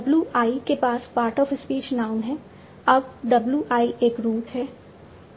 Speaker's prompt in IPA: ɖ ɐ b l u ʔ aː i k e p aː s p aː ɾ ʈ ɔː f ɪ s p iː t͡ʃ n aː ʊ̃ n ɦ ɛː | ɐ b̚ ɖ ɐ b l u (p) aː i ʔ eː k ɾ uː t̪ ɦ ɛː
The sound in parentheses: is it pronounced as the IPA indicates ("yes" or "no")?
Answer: no